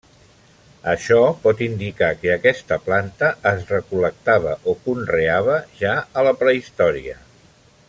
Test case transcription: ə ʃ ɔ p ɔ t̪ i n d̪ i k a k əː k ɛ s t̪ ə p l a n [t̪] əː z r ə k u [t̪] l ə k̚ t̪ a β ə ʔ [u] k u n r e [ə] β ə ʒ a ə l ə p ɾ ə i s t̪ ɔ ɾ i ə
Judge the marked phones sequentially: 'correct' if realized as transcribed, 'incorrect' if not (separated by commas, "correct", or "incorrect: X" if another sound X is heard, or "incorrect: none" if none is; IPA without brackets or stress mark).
correct, incorrect: none, incorrect: o, incorrect: a